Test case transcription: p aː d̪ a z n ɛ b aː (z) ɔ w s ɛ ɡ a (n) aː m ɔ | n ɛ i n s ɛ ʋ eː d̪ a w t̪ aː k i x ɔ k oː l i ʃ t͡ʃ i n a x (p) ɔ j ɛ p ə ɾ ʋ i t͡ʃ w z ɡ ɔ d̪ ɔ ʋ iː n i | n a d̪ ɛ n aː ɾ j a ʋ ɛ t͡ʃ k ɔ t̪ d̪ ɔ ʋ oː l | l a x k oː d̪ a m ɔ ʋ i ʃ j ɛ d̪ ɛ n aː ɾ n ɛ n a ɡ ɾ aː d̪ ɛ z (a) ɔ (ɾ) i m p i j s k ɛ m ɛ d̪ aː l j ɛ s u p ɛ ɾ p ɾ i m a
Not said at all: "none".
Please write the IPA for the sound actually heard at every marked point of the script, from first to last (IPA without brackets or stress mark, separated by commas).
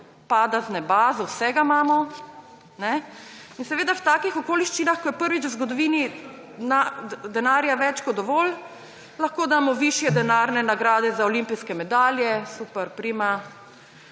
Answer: z, m, k, a, l